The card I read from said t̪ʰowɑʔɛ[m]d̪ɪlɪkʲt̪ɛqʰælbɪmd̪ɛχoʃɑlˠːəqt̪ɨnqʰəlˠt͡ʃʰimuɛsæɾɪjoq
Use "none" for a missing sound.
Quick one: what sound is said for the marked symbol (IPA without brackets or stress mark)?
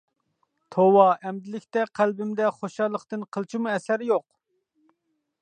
m